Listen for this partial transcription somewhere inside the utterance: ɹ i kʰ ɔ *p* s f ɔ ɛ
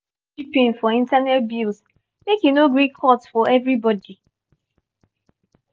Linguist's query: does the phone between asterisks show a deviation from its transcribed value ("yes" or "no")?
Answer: yes